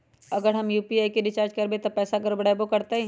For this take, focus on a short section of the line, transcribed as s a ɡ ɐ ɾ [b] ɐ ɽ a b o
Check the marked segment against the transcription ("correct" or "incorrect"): correct